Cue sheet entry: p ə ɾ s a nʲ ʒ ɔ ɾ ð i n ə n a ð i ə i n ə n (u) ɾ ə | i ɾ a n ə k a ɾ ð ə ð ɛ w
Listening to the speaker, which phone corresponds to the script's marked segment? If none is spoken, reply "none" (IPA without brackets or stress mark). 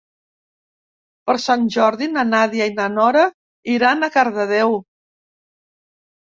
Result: ɔ